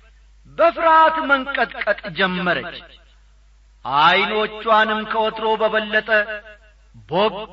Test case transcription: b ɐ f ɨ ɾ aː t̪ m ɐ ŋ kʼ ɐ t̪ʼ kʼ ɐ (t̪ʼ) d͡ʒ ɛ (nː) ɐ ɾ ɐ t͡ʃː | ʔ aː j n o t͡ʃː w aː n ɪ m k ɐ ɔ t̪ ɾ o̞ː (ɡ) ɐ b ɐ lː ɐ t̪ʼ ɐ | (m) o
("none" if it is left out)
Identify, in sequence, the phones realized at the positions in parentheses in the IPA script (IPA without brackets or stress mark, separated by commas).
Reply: t̪ʼ, mː, b, b